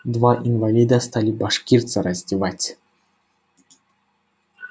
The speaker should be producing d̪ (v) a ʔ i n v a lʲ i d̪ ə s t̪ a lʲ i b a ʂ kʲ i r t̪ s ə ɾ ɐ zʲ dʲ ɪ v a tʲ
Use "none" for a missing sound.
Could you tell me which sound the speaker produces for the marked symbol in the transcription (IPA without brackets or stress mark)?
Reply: v